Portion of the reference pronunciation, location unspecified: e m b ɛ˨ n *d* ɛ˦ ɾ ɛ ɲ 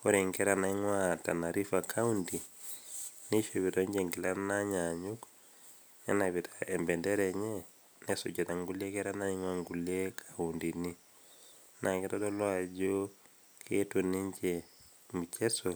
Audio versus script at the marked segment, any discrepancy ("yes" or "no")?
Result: no